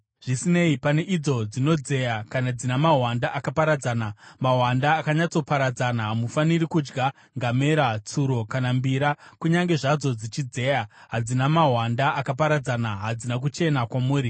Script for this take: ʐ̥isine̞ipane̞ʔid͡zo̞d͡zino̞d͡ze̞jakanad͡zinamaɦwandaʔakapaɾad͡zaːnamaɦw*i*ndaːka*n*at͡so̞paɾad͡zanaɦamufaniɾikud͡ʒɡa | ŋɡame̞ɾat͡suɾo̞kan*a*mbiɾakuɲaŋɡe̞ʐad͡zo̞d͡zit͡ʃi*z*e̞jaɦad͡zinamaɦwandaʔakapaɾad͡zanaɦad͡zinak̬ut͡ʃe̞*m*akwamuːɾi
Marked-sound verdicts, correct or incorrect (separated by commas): incorrect, incorrect, correct, incorrect, incorrect